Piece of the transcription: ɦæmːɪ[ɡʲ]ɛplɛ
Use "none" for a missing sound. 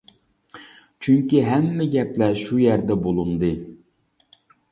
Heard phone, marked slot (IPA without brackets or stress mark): ɡʲ